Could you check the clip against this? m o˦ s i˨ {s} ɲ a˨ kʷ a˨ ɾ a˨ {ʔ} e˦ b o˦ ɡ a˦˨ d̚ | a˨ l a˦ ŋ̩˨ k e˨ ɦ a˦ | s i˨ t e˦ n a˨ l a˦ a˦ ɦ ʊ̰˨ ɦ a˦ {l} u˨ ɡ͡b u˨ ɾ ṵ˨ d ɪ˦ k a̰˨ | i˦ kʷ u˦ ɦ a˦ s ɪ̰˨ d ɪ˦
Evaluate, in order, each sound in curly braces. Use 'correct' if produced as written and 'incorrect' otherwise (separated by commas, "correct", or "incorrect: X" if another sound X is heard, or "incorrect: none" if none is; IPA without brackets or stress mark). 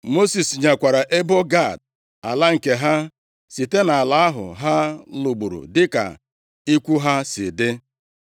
correct, correct, correct